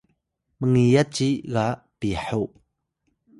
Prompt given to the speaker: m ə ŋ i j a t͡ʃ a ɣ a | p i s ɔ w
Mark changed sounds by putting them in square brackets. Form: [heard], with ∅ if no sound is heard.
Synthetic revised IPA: m ə ŋ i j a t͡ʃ [i] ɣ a | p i [ħ] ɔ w